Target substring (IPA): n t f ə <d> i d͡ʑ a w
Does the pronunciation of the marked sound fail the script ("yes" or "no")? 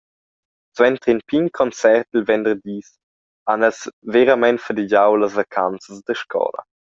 no